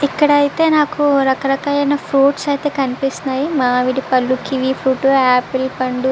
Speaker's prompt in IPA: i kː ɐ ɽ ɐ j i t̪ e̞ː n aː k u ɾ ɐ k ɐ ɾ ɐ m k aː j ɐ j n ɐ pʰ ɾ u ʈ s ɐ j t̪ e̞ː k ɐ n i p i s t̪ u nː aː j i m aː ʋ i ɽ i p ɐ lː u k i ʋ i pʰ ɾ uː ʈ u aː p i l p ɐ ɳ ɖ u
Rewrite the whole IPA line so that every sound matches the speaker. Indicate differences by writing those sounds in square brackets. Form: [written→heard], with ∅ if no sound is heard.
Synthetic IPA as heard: i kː ɐ ɽ ɐ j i t̪ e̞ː n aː k u ɾ ɐ k ɐ ɾ ɐ [m→∅] k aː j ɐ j n ɐ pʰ ɾ [u→uː] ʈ s ɐ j t̪ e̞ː k ɐ n i p i s t̪ u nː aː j i m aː ʋ i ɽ i p ɐ lː u k i ʋ i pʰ ɾ uː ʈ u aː p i l p ɐ ɳ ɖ u